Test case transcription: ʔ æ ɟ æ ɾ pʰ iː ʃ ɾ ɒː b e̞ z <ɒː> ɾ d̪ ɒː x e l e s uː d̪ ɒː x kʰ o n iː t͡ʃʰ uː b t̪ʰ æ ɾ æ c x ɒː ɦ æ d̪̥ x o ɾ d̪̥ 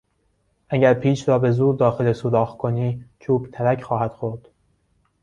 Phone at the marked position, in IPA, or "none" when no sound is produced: uː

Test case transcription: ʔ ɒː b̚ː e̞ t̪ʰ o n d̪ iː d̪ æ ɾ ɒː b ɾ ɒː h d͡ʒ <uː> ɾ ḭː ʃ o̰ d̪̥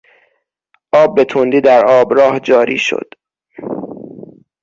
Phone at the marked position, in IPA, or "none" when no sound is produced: ɒː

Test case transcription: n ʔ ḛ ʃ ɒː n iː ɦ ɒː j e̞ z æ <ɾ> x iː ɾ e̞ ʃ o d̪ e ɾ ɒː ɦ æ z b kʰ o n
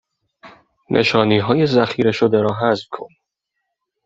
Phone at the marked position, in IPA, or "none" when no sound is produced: none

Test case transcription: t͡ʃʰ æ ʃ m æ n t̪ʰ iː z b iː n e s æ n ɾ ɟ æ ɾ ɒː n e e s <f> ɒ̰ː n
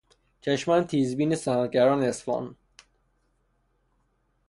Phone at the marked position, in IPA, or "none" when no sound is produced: f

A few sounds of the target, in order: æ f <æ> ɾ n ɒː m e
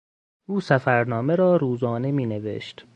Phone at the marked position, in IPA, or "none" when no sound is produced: æ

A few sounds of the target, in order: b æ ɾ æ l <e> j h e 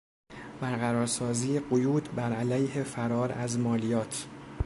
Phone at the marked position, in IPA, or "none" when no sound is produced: æ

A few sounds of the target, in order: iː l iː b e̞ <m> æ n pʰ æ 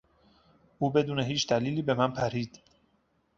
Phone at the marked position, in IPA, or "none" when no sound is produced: m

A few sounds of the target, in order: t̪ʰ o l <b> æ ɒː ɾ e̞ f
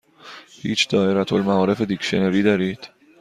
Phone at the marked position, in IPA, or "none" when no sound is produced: m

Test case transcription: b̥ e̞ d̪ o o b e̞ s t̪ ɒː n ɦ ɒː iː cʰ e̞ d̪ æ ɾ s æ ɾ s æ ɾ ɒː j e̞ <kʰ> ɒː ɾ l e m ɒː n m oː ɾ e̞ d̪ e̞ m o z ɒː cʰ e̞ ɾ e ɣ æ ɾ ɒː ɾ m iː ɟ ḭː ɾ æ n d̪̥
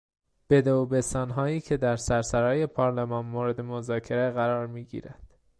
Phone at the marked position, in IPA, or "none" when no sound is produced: pʰ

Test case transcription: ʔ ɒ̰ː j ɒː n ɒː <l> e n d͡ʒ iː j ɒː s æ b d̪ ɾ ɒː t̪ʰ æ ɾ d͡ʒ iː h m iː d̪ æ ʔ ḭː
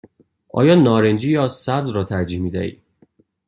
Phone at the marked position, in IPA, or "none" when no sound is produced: ɾ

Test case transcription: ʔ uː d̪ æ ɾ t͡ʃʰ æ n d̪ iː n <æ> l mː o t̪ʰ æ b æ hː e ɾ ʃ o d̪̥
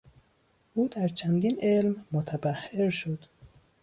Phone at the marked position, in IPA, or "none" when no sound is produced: e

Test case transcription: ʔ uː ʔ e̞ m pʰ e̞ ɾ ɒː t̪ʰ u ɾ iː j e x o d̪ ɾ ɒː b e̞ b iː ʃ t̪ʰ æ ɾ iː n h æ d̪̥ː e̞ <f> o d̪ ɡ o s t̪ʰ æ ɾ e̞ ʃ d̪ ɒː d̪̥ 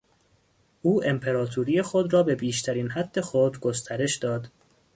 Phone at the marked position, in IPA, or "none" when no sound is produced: x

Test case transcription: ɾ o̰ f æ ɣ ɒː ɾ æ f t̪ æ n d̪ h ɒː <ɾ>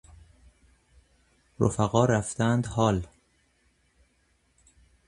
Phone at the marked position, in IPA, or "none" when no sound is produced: l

